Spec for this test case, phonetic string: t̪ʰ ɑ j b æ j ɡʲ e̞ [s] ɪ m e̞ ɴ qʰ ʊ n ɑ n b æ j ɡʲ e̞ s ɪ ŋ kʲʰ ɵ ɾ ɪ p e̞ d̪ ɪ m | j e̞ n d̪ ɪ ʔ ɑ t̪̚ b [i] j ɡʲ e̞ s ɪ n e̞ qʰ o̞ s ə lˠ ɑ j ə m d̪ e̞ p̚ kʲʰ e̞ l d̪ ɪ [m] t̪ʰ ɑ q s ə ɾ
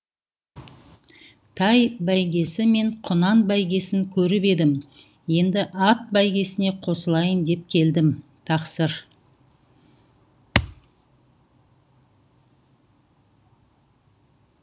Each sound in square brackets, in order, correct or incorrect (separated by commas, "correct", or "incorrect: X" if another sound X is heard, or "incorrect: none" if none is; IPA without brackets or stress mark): correct, incorrect: æ, correct